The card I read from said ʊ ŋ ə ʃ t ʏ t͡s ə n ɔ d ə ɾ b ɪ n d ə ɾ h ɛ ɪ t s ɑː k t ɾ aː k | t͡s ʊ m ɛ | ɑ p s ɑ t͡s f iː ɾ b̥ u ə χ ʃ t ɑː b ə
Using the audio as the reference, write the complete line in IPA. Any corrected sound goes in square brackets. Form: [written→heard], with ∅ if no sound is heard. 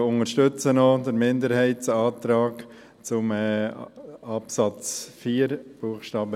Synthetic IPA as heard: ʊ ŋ ə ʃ t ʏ t͡s ə n ɔ d ə ɾ [b→m] ɪ n d ə ɾ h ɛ ɪ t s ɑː [k→∅] t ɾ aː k | t͡s ʊ m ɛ | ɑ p s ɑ t͡s f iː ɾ b̥ u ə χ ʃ t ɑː b ə